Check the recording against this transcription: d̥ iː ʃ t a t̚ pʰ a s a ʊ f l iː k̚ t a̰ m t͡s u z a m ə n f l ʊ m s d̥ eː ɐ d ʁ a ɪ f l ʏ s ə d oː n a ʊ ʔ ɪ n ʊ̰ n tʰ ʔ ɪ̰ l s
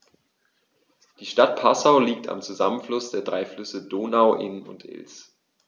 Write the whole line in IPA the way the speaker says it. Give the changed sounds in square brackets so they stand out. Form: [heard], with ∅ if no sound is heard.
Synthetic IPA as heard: d̥ iː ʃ t a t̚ pʰ a s a ʊ [∅] l iː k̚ t a̰ m t͡s u z a m ə n f l ʊ [∅] s d̥ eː ɐ d ʁ a ɪ f l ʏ s ə d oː n a ʊ ʔ ɪ n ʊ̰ n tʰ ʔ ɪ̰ l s